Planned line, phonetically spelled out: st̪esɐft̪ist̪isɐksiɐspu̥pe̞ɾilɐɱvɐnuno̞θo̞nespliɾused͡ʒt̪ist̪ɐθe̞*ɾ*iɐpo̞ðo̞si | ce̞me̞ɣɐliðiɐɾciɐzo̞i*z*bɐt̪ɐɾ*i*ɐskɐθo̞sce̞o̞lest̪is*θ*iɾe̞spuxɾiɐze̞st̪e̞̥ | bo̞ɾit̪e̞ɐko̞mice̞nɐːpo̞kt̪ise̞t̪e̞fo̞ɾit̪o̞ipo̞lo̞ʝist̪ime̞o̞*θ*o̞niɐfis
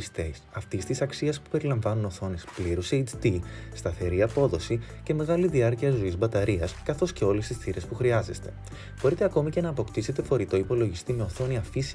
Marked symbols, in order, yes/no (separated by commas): yes, yes, yes, yes, yes